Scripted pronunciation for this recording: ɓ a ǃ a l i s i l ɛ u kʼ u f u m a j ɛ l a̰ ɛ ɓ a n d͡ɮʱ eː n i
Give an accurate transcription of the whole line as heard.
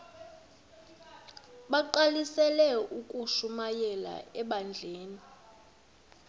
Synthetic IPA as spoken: ɓ a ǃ a l i s ɛ l ɛ u kʼ u ʃ u m a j ɛ l a̰ ɛ ɓ a n d͡ɮʱ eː n i